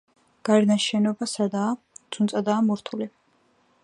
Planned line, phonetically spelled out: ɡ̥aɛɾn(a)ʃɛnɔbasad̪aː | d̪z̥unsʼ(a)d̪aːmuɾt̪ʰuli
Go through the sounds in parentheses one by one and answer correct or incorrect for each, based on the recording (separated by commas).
correct, correct